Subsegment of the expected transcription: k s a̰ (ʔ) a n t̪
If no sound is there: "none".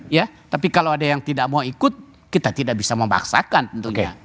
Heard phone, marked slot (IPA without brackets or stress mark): k